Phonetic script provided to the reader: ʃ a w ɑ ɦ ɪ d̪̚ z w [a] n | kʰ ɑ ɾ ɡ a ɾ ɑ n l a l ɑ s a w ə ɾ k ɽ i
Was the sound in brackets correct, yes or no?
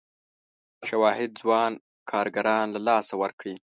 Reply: no